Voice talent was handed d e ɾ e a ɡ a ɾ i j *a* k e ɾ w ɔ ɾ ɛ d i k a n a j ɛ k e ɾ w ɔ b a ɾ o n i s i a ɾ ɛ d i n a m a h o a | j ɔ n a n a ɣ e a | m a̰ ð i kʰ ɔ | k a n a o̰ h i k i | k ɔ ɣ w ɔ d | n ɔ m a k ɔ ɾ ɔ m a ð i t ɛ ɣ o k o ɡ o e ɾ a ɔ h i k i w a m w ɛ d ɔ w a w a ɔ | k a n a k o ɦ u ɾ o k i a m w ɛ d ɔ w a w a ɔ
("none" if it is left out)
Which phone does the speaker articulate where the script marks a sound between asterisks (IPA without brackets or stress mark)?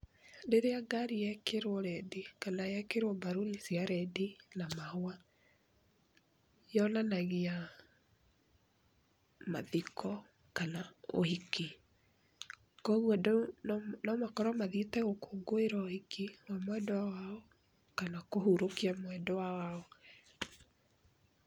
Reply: ɛ